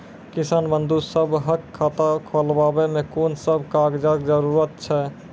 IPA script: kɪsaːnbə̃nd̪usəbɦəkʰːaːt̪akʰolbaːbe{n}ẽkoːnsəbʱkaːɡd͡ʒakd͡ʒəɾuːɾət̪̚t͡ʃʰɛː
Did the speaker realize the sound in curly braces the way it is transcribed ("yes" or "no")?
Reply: no